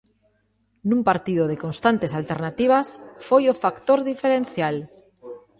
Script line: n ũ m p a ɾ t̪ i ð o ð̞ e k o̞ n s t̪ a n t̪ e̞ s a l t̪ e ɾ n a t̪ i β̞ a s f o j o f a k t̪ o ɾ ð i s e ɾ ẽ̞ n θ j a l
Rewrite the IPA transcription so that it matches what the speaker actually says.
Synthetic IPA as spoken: n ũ m p a ɾ t̪ i ð o ð̞ e k o̞ n s t̪ a n t̪ e̞ s a l t̪ e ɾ n a t̪ i β̞ a s f o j o f a k t̪ o ɾ ð i f e ɾ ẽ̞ n θ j a l